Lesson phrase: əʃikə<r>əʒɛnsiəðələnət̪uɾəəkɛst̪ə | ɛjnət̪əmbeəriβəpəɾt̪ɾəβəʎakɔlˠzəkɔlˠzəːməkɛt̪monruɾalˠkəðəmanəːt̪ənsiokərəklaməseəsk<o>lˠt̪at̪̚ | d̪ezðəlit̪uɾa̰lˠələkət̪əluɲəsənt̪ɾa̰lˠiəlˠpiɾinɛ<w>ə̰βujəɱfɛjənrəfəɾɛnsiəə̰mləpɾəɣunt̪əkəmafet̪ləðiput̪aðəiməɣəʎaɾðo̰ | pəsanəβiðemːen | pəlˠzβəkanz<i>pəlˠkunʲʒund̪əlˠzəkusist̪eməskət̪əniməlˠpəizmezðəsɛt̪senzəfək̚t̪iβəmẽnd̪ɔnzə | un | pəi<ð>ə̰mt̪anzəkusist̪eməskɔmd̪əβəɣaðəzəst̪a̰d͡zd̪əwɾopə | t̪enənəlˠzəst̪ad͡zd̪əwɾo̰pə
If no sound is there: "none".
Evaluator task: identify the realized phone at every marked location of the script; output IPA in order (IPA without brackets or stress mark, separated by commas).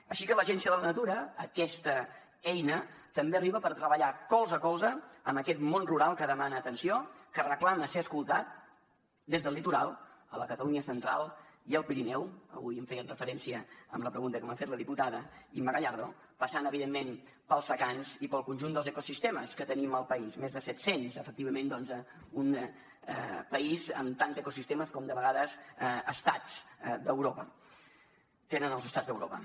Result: l, u, w, i, z